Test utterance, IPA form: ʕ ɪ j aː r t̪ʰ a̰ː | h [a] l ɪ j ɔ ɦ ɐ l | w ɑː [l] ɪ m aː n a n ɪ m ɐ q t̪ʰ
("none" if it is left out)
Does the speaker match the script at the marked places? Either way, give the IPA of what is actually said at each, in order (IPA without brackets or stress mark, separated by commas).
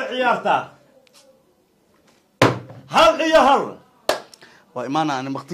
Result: ɐ, none